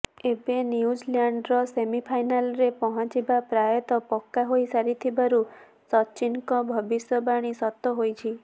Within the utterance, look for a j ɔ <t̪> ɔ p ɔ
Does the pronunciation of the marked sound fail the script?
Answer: no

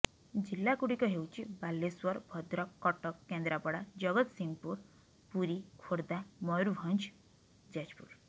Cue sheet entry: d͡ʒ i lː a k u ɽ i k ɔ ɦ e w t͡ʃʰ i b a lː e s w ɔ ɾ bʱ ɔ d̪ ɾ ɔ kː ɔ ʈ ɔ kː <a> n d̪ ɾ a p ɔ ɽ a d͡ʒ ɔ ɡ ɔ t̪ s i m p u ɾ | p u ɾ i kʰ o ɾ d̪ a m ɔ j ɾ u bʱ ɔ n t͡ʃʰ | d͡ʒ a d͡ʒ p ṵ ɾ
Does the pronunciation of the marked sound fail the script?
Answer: yes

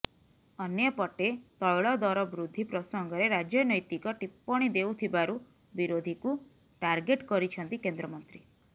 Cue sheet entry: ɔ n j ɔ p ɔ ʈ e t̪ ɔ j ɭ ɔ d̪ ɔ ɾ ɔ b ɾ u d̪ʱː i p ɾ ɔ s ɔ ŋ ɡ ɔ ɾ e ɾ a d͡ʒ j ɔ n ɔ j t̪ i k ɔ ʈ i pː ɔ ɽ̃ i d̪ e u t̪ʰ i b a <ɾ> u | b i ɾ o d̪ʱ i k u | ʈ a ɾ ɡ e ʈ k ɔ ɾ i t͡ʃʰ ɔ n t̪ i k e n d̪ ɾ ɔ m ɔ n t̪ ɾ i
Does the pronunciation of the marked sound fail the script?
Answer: no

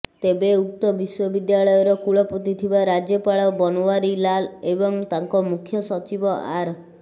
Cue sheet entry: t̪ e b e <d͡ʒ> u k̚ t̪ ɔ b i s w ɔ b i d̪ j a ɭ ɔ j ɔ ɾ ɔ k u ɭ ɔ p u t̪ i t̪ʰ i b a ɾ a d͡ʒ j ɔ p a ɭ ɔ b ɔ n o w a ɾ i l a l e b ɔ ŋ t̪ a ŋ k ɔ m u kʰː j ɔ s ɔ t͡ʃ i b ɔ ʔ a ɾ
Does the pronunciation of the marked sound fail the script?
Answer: yes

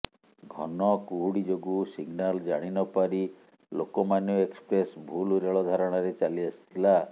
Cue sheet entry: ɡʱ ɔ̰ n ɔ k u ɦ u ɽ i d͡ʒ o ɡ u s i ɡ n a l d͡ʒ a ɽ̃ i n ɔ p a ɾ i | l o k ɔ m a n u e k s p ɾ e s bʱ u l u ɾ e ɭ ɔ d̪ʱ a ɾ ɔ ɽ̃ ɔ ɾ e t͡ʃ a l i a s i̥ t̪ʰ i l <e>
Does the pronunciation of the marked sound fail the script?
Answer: yes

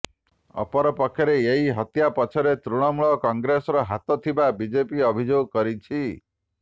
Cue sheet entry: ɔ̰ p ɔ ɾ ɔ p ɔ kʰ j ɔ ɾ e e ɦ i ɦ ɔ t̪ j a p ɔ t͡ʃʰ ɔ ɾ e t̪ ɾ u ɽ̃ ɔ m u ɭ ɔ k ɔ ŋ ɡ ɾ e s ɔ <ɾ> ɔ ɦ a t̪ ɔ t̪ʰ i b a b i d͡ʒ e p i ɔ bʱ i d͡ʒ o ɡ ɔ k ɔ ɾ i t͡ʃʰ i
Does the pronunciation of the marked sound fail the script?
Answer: no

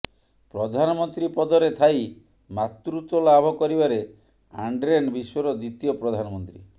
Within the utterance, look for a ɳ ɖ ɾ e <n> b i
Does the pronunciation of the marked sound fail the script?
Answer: no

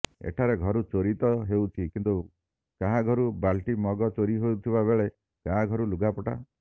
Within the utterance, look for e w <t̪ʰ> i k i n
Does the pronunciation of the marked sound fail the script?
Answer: no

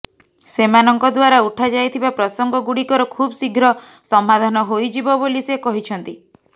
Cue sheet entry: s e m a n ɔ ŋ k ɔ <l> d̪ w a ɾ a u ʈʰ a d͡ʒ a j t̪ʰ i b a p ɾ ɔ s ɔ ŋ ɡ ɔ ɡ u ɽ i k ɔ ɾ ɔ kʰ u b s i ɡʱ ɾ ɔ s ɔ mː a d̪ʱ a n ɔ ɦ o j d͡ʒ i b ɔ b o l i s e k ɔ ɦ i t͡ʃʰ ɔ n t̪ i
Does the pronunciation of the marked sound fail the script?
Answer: yes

